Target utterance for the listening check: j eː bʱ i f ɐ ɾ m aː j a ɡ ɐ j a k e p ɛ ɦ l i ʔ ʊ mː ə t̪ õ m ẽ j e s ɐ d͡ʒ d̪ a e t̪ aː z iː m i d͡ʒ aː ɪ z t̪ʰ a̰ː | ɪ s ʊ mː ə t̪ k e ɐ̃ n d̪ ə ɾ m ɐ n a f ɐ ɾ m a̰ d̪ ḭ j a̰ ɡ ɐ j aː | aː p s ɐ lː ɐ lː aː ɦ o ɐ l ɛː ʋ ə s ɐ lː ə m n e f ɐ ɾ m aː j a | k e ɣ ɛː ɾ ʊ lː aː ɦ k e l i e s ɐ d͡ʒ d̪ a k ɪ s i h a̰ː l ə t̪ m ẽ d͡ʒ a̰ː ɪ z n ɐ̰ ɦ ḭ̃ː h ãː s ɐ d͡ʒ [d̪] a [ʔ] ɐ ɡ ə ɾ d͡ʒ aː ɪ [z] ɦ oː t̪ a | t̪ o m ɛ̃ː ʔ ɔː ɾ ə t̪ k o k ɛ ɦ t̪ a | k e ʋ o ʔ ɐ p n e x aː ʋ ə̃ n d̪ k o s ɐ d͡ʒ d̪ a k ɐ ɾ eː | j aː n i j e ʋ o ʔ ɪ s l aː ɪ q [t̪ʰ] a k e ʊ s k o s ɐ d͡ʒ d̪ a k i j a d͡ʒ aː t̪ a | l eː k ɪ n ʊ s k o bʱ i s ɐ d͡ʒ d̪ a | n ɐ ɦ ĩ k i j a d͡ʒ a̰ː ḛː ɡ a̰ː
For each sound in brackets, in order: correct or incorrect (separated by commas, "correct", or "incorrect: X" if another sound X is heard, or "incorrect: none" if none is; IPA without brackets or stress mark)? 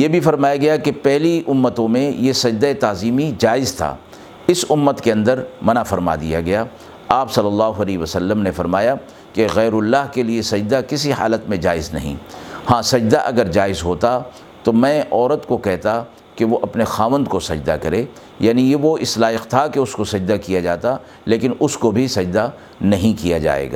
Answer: correct, correct, correct, correct